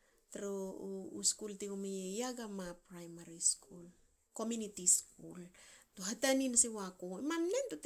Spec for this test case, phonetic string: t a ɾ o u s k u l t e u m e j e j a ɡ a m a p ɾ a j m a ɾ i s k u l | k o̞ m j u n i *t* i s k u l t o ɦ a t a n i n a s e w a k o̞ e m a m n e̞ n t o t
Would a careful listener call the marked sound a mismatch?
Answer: no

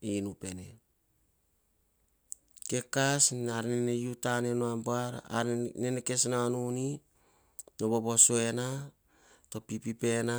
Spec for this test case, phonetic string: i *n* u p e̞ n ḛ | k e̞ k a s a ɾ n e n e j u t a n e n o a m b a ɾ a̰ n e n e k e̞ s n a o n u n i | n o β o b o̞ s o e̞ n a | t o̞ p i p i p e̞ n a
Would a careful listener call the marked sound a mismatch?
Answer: no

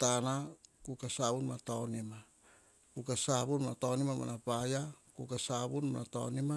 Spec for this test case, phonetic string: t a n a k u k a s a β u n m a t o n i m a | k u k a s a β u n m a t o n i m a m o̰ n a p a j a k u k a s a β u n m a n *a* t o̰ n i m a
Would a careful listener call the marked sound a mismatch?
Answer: no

